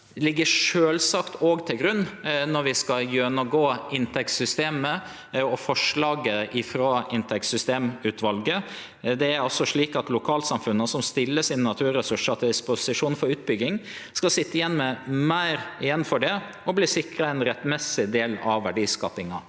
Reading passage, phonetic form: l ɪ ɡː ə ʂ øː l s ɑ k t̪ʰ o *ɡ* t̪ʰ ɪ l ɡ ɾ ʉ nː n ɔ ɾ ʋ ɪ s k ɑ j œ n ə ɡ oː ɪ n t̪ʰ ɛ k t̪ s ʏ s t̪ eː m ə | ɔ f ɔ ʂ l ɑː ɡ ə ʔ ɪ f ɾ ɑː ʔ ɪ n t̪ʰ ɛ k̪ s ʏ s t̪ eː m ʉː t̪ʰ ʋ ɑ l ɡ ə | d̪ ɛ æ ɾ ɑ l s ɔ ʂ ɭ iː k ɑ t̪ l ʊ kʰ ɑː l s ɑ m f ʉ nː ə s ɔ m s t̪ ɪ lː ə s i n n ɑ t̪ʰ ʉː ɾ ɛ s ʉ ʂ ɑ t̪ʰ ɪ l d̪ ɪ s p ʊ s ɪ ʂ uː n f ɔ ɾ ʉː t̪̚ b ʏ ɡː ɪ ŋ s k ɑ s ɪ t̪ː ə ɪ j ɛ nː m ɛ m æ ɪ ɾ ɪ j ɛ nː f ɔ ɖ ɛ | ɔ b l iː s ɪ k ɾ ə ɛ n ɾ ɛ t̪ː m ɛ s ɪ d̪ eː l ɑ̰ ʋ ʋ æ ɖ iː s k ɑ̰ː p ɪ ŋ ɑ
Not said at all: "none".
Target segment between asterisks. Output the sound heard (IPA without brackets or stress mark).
ɡ